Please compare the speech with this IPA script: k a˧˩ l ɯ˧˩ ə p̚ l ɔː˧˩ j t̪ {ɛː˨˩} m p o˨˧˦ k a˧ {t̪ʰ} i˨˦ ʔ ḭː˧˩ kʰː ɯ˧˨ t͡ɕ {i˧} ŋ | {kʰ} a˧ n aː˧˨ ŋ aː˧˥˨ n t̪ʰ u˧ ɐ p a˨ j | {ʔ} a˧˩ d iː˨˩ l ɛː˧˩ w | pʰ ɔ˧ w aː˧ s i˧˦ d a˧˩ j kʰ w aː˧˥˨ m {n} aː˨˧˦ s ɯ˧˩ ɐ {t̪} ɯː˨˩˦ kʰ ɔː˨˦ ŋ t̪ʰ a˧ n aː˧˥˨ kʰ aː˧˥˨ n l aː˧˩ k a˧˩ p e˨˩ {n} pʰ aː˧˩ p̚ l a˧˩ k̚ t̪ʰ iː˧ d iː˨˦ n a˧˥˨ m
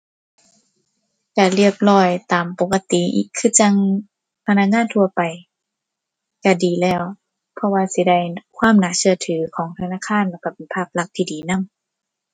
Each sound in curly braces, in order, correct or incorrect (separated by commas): incorrect, incorrect, incorrect, incorrect, incorrect, correct, incorrect, correct